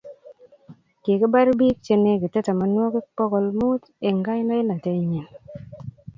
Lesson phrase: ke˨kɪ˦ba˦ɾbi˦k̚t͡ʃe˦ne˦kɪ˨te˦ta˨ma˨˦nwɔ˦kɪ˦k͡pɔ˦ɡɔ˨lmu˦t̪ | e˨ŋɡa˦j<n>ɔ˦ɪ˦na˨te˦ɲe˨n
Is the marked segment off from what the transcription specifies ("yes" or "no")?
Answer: no